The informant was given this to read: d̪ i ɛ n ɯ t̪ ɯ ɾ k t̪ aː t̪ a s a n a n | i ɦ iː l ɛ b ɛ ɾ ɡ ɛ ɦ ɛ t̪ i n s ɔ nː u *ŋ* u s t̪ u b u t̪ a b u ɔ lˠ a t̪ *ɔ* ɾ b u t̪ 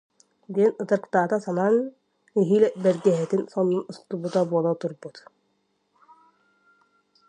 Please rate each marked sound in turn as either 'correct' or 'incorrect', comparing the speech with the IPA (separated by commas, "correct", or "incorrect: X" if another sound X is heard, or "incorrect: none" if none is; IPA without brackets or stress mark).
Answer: incorrect: n, incorrect: u